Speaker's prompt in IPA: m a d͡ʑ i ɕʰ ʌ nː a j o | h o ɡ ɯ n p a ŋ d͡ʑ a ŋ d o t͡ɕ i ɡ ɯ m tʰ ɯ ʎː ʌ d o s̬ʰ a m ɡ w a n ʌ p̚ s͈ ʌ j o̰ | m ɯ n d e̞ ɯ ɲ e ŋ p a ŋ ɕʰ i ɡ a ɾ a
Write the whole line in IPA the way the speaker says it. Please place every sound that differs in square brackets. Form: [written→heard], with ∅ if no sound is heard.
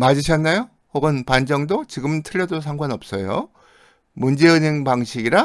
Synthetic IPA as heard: m a d͡ʑ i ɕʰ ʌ nː a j o | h o ɡ ɯ n p a [ŋ→n] d͡ʑ [a→ʌ] ŋ d o t͡ɕ i ɡ ɯ m tʰ ɯ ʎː ʌ d o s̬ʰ a [m→ŋ] ɡ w a n ʌ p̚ s͈ ʌ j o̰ | m [ɯ→u] n [d→d͡ʑ] e̞ ɯ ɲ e ŋ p a ŋ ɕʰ i ɡ [a→i] ɾ a

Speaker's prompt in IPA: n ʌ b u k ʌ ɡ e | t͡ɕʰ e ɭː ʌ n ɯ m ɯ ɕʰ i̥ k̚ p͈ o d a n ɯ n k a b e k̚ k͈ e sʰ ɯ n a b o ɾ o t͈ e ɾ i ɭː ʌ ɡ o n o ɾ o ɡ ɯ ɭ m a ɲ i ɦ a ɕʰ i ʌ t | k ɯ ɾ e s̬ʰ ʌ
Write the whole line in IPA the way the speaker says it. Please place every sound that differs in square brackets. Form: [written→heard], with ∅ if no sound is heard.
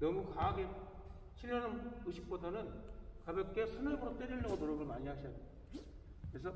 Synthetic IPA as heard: n ʌ [b→m] u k [ʌ→a] ɡ e | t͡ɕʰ [e→i] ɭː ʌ n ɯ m ɯ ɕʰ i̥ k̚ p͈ o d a n ɯ n k a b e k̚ k͈ e sʰ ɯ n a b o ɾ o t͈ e ɾ i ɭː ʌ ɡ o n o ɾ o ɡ ɯ ɭ m a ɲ i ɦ a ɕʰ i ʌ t | k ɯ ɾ e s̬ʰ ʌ

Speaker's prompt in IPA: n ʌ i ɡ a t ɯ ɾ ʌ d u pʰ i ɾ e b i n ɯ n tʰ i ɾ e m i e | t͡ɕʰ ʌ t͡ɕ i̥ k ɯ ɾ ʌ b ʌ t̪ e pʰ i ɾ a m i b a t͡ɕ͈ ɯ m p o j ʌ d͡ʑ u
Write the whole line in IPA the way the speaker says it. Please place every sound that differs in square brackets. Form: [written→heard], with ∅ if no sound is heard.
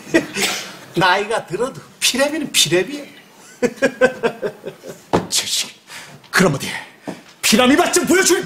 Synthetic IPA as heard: n [ʌ→a] i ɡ a t ɯ ɾ ʌ d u pʰ i ɾ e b i n ɯ n [tʰ→pʰ] i ɾ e [m→b] i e | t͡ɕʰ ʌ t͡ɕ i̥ k ɯ ɾ ʌ [b→m] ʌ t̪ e pʰ i ɾ a m i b a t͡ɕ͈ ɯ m p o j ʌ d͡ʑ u

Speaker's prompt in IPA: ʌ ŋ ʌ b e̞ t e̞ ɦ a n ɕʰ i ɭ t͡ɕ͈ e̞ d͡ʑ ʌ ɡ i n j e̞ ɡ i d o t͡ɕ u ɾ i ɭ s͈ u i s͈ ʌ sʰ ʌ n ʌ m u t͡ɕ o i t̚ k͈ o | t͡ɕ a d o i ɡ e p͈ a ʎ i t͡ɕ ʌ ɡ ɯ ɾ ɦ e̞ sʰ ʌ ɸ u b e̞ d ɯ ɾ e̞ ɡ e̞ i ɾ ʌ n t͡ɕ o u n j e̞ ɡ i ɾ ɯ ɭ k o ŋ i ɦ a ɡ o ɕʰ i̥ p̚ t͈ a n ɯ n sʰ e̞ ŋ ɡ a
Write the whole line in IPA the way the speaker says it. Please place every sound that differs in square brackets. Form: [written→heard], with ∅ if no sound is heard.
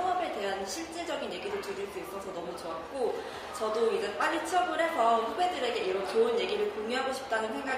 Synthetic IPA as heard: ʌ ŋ ʌ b e̞ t e̞ ɦ a n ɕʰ i ɭ t͡ɕ͈ e̞ d͡ʑ ʌ ɡ i n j e̞ ɡ i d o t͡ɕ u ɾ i ɭ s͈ u i s͈ ʌ sʰ ʌ n ʌ m u t͡ɕ o [i→a] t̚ k͈ o | t͡ɕ [a→ʌ] d o i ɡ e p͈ a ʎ i [t͡ɕ→t͡ɕʰ] ʌ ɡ ɯ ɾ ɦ e̞ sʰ ʌ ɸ u b e̞ d ɯ ɾ e̞ ɡ e̞ i ɾ ʌ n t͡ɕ o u n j e̞ ɡ i ɾ ɯ ɭ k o ŋ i ɦ a ɡ o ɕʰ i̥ p̚ t͈ a n ɯ n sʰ e̞ ŋ ɡ a

